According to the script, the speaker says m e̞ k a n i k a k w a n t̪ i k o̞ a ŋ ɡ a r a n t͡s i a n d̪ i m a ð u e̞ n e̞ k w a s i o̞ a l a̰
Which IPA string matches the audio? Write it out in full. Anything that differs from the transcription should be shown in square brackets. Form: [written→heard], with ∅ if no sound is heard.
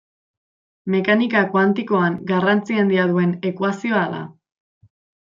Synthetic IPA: m e̞ k a n i k a k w a n t̪ i k o̞ a ŋ ɡ a r a n t͡s i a n d̪ i [m→∅] a ð u e̞ n e̞ k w a s i o̞ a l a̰

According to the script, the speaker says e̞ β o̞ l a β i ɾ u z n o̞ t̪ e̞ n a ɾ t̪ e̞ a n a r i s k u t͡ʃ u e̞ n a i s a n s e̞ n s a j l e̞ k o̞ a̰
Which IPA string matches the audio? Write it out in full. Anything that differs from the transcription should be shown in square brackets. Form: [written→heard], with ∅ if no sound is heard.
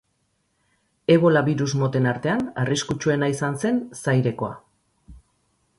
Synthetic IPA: e̞ β o̞ l a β i ɾ u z [n→m] o̞ t̪ e̞ n a ɾ t̪ e̞ a n a r i s k u t͡ʃ u e̞ n a i s a n s e̞ n s a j [l→ɾ] e̞ k o̞ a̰

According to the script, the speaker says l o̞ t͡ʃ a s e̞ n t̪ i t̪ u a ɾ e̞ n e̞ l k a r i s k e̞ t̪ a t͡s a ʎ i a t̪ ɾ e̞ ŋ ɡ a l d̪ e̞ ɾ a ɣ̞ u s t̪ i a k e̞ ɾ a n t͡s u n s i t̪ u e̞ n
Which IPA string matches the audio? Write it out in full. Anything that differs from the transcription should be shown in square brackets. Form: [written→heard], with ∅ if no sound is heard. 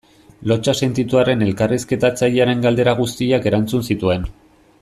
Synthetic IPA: l o̞ t͡ʃ a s e̞ n t̪ i t̪ u a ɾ e̞ n e̞ l k a r i s k e̞ t̪ a t͡s a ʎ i a [t̪→∅] ɾ e̞ ŋ ɡ a l d̪ e̞ ɾ a ɣ̞ u s t̪ i a k e̞ ɾ a n t͡s u n s i t̪ u e̞ n

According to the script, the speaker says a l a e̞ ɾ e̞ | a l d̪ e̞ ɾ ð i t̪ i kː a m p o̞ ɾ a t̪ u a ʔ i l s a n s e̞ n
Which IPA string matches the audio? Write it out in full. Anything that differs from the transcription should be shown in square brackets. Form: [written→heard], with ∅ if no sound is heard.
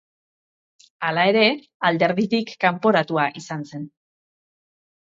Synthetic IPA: a l a e̞ ɾ e̞ | a l d̪ e̞ ɾ ð i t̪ i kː a m p o̞ ɾ a t̪ u a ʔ i [l→∅] s a n s e̞ n

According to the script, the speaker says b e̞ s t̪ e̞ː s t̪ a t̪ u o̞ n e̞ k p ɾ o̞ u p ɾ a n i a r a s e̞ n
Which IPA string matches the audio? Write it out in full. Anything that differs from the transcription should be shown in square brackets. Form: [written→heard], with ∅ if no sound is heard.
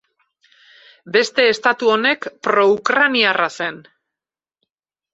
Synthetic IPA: b e̞ s t̪ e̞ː s t̪ a t̪ u o̞ n e̞ k p ɾ o̞ u [p→k] ɾ a n i a r a s e̞ n

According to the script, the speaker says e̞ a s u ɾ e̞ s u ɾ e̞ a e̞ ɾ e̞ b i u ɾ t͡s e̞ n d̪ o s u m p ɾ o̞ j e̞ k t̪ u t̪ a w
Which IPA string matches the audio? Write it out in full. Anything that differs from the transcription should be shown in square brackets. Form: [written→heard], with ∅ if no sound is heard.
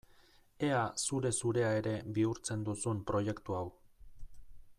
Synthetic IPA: e̞ a s u ɾ e̞ s u ɾ e̞ a e̞ ɾ e̞ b i u ɾ t͡s e̞ n d̪ [o→u] s u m p ɾ o̞ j e̞ k t̪ u [t̪→∅] a w

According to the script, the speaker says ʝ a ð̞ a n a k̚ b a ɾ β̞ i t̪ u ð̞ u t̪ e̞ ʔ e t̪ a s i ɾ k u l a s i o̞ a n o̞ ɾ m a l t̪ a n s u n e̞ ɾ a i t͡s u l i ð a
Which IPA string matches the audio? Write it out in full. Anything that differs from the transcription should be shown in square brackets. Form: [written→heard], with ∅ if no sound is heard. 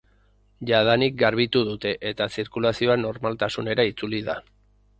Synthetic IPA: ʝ a ð̞ a n [a→i] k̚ [b→ɡ] a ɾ β̞ i t̪ u ð̞ u t̪ e̞ ʔ e t̪ a s i ɾ k u l a s i o̞ a n o̞ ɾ m a l t̪ a [n→∅] s u n e̞ ɾ a i t͡s u l i ð a

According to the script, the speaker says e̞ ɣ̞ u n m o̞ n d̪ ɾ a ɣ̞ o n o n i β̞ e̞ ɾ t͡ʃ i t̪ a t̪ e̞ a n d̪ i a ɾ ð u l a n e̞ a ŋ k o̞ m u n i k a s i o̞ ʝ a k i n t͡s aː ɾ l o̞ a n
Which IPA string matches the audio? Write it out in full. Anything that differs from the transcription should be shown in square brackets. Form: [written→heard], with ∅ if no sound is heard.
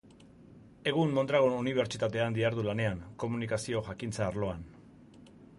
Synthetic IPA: e̞ ɣ̞ u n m o̞ n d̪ ɾ a ɣ̞ o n [o→u] n i β̞ e̞ ɾ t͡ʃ i t̪ a t̪ e̞ a n d̪ i a ɾ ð u l a n e̞ a ŋ k o̞ m u n i k a s i o̞ ʝ a k i n t͡s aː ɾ l o̞ a n

